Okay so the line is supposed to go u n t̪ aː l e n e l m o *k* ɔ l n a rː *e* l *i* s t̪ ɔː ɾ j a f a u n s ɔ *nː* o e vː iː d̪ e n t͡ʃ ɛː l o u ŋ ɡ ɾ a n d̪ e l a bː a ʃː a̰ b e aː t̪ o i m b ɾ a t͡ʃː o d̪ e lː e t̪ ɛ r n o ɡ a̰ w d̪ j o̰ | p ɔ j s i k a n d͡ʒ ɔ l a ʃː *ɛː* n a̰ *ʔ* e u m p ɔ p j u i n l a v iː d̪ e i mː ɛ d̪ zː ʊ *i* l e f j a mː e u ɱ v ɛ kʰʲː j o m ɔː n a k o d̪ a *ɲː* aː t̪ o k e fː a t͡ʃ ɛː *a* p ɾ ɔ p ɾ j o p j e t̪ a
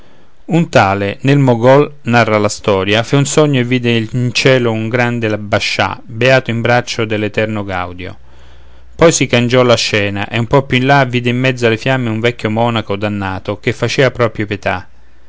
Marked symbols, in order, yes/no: no, no, no, no, yes, yes, no, no, yes

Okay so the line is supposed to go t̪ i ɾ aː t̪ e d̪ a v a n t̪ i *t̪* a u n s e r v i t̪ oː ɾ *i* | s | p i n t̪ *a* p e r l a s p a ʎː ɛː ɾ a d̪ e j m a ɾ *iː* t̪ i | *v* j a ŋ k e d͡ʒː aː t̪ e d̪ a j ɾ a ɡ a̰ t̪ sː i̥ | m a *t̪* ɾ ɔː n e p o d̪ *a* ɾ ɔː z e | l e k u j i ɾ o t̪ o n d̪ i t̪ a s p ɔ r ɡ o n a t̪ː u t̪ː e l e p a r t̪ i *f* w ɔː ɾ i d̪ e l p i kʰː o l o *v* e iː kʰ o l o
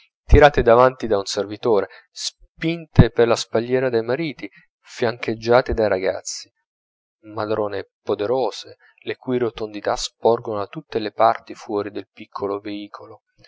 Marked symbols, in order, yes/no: no, no, no, yes, no, no, no, yes, yes

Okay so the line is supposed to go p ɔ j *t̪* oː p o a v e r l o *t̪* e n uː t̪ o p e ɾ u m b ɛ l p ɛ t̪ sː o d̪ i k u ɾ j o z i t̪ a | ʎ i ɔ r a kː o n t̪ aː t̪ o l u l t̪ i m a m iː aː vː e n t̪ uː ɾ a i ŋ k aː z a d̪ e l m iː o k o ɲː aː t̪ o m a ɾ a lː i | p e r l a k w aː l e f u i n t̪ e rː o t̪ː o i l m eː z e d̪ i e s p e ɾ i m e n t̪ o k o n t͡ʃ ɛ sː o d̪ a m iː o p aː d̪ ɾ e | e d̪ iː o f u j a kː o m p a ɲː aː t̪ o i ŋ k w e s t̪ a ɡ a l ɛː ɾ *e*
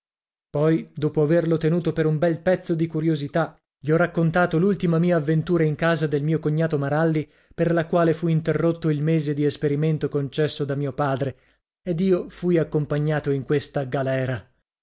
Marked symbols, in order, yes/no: no, yes, no

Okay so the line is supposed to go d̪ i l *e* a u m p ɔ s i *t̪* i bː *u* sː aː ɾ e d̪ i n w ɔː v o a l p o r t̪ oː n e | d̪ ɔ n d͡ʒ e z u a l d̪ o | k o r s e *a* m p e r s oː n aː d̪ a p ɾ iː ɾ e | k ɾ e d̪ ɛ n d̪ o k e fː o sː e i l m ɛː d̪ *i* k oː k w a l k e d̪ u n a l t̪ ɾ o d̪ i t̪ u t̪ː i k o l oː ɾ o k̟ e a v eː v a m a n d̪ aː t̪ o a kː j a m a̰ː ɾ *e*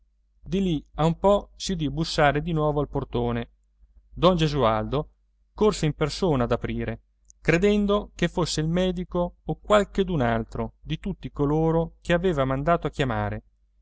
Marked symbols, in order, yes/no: no, no, yes, no, yes, yes

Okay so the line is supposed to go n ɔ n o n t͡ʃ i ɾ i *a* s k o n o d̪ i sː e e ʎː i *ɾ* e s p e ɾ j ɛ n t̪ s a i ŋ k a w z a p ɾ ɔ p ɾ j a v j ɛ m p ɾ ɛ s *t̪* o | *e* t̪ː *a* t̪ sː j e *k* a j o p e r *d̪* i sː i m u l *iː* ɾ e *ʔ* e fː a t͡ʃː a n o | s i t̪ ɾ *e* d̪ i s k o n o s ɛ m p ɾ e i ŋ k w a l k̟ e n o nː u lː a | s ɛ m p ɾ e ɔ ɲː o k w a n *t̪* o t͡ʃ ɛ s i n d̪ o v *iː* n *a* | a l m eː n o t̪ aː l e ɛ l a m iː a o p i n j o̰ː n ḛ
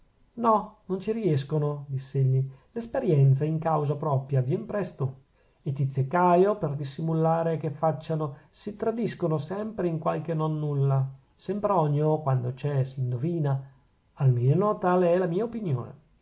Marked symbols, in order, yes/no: no, no, yes, yes, no, yes, yes, no, no, no, no, yes, yes

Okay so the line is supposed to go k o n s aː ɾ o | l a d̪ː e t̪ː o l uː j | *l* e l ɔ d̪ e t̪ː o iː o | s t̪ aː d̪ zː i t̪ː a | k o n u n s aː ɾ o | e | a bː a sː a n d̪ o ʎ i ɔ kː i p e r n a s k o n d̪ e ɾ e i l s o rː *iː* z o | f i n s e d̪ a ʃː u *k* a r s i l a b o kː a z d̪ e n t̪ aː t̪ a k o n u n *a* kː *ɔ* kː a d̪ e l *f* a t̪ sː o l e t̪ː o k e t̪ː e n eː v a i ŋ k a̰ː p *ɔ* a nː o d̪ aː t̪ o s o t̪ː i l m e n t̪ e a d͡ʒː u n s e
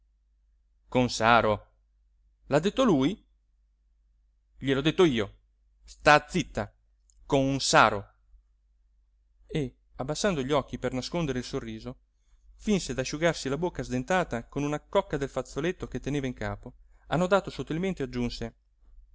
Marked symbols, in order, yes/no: no, yes, no, yes, yes, yes, no

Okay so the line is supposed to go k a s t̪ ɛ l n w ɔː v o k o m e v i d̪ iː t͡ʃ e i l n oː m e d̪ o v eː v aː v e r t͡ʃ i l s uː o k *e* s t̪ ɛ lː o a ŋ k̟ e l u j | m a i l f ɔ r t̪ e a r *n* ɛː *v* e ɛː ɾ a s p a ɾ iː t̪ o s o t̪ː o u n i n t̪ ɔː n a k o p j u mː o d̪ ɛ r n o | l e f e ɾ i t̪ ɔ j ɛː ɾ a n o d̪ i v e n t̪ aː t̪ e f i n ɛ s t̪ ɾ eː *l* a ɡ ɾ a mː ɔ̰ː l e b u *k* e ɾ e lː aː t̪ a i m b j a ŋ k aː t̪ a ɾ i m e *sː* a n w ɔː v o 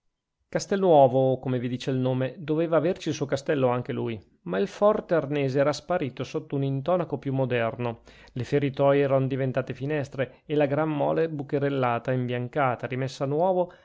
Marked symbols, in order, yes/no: no, yes, no, yes, yes, yes

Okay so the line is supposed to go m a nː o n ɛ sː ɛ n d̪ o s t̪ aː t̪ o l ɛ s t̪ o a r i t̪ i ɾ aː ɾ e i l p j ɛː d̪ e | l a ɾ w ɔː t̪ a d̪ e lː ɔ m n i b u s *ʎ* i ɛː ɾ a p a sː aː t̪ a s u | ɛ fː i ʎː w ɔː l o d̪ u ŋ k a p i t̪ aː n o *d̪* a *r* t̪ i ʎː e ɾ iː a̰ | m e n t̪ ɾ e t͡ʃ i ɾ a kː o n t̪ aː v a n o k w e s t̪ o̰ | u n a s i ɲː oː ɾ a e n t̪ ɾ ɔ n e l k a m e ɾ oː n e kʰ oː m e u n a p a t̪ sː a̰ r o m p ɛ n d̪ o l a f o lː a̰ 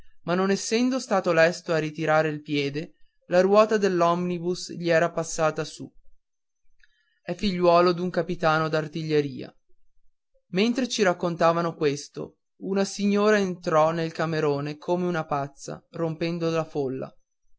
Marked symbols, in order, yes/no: yes, yes, yes

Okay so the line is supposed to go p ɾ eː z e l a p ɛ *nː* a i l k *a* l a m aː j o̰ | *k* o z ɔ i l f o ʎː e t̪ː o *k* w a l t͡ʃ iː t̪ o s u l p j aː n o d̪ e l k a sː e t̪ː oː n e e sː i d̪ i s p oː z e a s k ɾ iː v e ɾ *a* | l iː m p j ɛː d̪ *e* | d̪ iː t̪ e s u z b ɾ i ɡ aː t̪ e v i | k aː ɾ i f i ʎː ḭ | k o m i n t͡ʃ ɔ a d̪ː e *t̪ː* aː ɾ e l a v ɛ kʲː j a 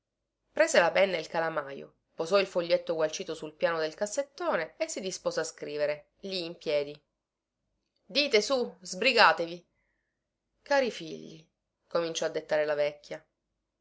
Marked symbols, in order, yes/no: yes, yes, no, no, no, no, yes

